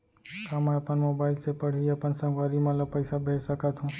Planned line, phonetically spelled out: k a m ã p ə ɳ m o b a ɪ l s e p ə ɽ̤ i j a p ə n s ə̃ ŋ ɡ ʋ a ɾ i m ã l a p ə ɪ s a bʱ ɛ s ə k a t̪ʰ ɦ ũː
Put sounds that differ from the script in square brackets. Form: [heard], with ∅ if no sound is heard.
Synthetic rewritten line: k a m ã p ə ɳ m o b a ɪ l s e p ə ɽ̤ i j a p ə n s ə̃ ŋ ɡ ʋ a ɾ i m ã l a p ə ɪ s a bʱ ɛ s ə k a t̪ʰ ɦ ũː